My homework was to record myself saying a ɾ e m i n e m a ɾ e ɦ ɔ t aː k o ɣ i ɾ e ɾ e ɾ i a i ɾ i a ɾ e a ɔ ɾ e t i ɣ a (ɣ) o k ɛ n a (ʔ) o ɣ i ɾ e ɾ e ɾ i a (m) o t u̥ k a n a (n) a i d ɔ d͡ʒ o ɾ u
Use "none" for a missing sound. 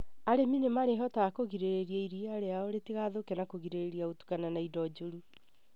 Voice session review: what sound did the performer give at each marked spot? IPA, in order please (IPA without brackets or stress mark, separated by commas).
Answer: ð, k, none, n